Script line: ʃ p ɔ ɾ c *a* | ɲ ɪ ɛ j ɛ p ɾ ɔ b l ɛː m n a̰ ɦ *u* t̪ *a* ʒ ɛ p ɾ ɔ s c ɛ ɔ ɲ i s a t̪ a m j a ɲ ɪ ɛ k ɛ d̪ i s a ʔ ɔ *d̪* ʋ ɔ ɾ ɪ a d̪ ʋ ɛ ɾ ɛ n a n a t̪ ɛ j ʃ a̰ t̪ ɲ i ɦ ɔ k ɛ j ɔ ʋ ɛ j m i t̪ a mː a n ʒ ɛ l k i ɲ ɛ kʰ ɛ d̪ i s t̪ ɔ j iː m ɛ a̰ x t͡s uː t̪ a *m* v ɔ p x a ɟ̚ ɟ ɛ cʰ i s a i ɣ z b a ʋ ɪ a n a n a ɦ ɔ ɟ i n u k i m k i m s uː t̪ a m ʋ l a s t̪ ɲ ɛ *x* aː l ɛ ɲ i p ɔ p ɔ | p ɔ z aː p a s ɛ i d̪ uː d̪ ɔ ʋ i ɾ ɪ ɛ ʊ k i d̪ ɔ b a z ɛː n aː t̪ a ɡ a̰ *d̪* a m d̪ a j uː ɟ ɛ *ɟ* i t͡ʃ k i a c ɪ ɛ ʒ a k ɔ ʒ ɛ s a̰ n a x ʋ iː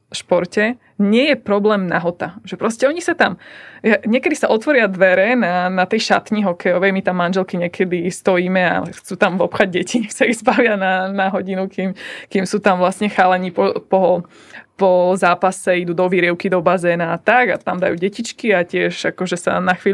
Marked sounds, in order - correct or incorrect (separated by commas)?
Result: incorrect, incorrect, correct, incorrect, correct, correct, incorrect, incorrect